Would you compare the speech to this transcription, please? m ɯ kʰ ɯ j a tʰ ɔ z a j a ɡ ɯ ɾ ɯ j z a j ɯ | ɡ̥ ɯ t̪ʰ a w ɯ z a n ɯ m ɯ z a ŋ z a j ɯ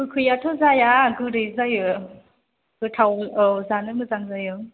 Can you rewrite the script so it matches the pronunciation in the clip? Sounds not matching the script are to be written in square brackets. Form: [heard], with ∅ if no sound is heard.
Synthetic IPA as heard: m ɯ kʰ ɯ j a tʰ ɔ z a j a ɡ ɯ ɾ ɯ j z a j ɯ | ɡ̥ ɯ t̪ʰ a w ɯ z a n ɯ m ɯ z a ŋ z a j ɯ